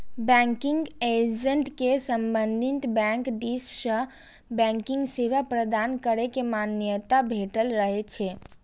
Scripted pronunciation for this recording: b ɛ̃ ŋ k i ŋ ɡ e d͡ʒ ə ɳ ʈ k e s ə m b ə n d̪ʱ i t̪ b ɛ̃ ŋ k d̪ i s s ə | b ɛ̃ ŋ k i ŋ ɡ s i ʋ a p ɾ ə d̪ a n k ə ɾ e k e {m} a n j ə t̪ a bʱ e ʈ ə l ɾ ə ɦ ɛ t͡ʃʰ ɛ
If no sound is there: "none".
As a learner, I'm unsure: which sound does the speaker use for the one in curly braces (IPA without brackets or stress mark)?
m